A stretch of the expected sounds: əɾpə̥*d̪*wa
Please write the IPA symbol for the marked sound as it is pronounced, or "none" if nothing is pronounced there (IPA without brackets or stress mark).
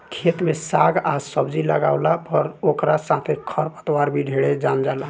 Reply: t̪